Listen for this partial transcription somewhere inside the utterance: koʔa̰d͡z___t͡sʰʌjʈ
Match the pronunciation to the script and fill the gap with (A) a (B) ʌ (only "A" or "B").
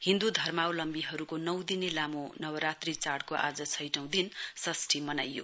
B